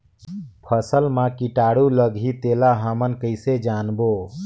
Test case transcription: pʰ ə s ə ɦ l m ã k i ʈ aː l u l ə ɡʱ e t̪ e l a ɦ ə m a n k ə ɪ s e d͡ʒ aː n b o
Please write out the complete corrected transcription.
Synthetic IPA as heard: pʰ ə s ə l m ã k i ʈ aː ɽ u l ə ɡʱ i t̪ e l a ɦ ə m ə n k ə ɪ s e d͡ʒ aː n b o